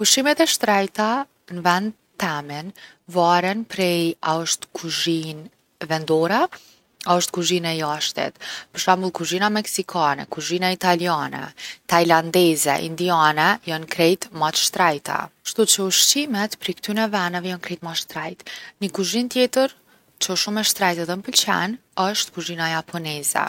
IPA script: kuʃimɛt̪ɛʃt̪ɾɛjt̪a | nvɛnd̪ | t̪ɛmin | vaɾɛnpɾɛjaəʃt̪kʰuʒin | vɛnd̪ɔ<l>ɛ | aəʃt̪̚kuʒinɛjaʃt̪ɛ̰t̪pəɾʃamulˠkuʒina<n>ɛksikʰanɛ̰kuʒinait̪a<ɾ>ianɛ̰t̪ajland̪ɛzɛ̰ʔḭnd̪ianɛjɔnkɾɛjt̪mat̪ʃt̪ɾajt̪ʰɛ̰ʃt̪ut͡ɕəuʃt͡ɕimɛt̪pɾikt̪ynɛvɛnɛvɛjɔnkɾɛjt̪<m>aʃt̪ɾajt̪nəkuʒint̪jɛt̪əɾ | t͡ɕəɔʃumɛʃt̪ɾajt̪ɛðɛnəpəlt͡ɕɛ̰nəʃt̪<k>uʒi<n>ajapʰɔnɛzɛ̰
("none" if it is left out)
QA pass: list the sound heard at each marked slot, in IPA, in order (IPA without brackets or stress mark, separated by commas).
ɾ, m, l, m, k, n